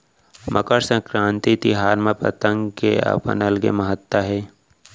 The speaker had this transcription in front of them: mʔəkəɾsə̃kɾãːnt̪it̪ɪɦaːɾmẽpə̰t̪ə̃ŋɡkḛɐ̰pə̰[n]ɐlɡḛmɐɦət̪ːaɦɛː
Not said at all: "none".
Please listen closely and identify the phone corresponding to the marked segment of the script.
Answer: n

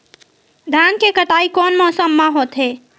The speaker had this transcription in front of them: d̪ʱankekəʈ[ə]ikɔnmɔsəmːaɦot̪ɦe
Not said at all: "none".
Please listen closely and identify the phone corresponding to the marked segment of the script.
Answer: a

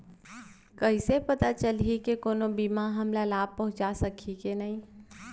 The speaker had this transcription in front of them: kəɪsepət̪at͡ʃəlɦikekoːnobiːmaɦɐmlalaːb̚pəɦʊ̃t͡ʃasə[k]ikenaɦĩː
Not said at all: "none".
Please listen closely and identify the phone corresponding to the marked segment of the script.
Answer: kʰ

